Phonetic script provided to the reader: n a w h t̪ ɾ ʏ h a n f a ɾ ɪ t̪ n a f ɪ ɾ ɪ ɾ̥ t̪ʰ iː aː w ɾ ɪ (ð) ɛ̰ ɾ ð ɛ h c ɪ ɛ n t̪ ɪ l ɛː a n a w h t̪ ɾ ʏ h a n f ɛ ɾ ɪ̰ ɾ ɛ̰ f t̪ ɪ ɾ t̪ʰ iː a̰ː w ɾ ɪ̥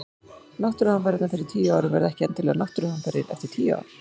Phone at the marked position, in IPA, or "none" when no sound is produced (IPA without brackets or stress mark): v